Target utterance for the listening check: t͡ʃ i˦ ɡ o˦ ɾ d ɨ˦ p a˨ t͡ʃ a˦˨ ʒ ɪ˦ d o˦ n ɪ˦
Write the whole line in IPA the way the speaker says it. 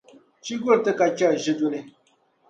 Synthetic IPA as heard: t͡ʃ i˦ ɡ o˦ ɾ t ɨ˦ k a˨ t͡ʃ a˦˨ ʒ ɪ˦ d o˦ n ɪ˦